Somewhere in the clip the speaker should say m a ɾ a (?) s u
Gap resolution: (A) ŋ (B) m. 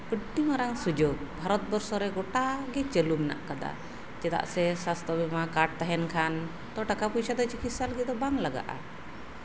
A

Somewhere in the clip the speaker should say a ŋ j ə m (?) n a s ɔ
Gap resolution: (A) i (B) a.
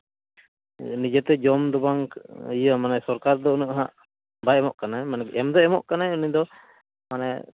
B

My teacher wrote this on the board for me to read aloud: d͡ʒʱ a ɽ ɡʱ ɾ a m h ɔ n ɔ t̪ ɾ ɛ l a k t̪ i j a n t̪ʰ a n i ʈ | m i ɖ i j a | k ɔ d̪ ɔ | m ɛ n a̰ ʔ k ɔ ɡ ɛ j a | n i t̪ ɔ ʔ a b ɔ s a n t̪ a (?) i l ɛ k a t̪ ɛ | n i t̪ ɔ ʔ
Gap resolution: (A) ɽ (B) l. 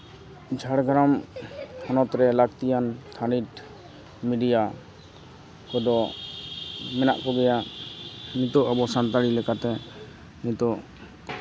A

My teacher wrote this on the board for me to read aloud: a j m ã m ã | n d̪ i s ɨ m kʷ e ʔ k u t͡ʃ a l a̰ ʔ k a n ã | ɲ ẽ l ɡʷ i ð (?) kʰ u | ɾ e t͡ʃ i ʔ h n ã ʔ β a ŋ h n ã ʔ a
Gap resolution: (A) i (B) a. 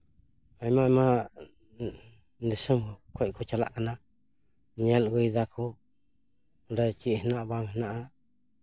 B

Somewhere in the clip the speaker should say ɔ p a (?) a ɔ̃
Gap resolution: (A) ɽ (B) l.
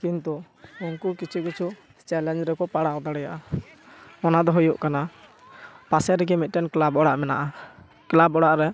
A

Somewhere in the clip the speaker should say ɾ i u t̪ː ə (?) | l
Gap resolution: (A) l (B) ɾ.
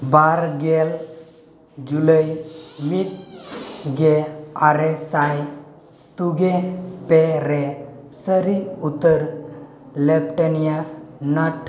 B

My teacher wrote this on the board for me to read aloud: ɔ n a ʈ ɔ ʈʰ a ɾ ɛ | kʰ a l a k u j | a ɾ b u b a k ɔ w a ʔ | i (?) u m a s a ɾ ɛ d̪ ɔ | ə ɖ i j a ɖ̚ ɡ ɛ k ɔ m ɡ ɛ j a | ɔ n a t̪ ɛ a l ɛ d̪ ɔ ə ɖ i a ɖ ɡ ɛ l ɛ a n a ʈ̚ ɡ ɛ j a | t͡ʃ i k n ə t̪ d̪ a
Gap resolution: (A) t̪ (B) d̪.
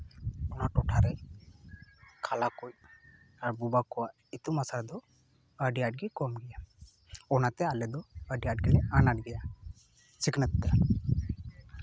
A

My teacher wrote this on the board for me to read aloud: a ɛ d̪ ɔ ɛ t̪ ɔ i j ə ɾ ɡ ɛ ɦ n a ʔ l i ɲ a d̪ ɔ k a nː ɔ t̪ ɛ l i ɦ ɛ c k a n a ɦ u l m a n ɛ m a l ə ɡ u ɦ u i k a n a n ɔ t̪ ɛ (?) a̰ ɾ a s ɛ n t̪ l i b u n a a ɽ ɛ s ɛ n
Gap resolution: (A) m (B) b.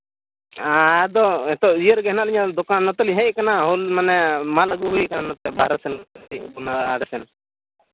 B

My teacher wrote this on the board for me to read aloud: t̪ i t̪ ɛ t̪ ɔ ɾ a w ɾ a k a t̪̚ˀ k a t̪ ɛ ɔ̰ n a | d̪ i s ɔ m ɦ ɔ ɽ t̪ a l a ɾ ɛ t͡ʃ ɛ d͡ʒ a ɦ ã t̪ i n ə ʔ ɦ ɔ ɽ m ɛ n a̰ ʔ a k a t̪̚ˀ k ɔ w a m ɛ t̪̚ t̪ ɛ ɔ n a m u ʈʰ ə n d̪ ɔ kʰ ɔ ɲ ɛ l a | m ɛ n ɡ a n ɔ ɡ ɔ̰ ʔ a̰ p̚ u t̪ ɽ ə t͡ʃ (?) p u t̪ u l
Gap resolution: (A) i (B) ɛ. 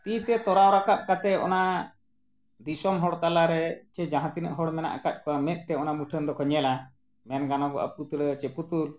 B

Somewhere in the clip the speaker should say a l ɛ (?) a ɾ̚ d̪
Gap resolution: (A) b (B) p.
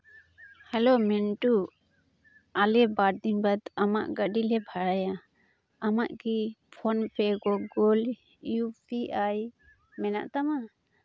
A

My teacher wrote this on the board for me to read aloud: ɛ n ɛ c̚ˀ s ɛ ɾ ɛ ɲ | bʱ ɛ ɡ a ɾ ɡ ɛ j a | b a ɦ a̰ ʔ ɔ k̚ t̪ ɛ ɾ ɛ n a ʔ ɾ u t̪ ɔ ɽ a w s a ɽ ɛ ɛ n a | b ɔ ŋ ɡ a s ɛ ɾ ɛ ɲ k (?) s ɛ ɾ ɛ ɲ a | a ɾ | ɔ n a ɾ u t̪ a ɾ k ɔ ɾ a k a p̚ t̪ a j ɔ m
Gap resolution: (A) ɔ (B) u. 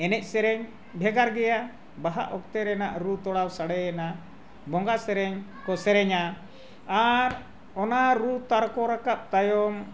A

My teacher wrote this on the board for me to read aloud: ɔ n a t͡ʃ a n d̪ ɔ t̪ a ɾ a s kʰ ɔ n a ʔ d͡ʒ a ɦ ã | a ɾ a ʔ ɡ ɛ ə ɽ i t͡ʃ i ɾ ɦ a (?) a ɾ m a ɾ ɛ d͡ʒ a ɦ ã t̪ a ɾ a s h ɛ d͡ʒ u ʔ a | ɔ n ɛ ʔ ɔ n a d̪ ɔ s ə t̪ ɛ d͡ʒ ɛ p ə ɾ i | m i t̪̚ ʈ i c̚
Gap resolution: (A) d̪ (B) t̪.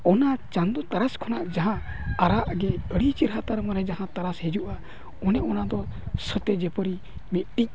B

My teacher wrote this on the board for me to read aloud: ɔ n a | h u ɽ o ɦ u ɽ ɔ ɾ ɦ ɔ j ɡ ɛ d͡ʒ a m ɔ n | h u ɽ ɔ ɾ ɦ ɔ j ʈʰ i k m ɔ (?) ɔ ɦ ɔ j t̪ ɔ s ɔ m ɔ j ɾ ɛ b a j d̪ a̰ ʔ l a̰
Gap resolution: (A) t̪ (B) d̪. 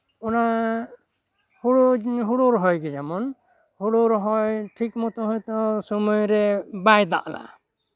A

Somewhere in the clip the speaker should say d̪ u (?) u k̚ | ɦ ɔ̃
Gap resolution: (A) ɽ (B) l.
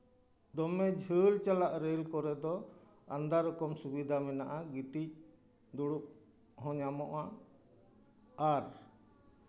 A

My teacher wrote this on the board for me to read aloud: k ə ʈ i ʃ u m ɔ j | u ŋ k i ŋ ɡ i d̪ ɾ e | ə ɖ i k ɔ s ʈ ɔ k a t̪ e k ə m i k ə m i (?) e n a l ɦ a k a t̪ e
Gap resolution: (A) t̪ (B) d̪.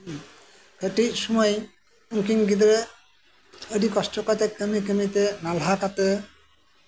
A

